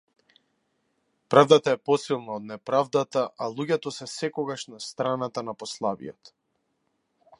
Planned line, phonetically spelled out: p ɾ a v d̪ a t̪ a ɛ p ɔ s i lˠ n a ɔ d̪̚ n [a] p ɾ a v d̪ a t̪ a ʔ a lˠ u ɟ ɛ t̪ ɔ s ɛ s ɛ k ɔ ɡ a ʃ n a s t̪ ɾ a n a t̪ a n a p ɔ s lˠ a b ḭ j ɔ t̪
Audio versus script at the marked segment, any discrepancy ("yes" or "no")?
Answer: yes